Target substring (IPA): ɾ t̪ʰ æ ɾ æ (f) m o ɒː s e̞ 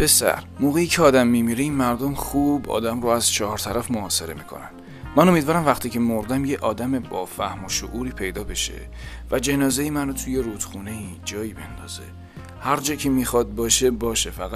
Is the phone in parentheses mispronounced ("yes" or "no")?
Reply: no